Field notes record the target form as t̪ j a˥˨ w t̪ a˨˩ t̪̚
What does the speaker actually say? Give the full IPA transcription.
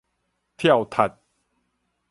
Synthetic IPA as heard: t̪ʰ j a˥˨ w t̪ʰ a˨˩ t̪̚